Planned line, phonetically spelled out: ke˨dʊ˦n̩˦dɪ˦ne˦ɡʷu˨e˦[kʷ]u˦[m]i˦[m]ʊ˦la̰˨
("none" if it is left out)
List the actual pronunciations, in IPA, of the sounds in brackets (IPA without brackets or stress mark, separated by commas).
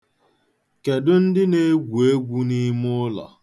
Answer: ɡʷ, n, m